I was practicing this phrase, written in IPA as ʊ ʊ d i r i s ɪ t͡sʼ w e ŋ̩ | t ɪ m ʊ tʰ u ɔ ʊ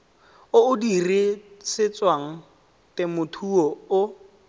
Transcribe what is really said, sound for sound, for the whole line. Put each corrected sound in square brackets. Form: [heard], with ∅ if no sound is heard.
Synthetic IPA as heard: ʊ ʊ d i r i s ɪ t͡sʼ w [a] ŋ̩ | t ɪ m ʊ tʰ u ɔ ʊ